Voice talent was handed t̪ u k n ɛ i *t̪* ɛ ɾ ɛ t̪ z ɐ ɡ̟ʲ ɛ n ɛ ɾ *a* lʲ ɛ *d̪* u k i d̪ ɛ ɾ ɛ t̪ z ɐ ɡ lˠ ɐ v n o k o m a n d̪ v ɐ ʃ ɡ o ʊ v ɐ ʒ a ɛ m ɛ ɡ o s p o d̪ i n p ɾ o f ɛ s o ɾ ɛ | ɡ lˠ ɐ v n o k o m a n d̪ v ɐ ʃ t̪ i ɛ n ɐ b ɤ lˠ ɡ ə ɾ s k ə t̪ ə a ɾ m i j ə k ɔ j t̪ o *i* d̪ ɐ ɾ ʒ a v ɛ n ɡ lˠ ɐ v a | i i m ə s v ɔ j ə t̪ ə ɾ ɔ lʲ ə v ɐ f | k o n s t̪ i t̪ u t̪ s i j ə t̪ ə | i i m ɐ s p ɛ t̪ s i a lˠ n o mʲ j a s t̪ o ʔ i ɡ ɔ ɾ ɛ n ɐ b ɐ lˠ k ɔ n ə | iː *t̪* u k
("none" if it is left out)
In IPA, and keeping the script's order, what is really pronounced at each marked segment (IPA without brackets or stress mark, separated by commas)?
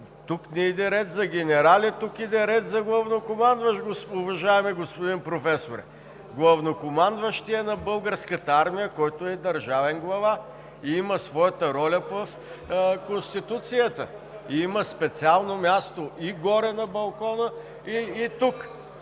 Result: d̪, a, t̪, ɛ, t̪